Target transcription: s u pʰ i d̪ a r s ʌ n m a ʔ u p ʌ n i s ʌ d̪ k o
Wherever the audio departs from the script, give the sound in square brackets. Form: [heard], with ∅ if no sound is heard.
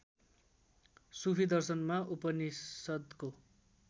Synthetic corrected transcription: s u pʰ i d̪ [ʌ] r s ʌ n m a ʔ u p ʌ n i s ʌ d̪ k o